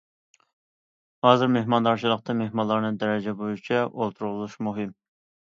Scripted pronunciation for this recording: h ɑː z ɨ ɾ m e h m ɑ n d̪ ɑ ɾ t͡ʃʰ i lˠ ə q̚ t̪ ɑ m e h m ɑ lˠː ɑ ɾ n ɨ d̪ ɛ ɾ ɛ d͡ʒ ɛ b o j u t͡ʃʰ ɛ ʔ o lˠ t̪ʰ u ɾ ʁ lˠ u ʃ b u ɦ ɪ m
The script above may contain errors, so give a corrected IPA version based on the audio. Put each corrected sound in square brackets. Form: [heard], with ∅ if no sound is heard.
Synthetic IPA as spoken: h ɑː z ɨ ɾ m e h m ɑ n d̪ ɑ ɾ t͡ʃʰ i lˠ ə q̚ t̪ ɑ m e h m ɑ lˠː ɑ ɾ n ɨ d̪ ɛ ɾ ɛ d͡ʒ ɛ b o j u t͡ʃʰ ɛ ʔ o lˠ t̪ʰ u ɾ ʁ lˠ u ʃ [m] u ɦ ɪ m